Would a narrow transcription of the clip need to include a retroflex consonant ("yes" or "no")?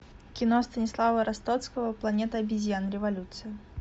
no